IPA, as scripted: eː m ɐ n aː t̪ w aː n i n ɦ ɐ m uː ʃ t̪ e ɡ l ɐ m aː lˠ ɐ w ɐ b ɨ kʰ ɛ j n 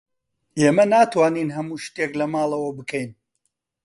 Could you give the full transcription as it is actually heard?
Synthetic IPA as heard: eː m ɐ n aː t̪ w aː n i n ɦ ɐ m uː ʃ t̪ e k l ɐ m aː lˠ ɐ w ɐ b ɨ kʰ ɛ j n